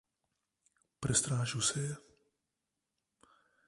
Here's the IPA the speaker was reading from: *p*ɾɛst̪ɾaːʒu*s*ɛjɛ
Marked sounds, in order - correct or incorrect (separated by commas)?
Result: correct, correct